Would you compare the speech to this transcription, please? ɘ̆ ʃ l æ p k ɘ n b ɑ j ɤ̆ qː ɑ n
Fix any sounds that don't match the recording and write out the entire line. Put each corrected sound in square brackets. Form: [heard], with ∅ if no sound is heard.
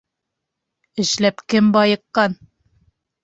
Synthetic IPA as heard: ɘ̆ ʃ l æ p k ɘ [m] b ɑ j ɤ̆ qː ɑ n